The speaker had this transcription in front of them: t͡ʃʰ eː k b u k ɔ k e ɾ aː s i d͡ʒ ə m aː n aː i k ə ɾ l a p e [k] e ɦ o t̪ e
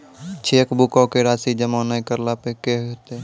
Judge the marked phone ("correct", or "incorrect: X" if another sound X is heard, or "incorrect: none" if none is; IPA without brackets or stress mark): correct